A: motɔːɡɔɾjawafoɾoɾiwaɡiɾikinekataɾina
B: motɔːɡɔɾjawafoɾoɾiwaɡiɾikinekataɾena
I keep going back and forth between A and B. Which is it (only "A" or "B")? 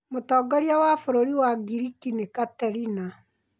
A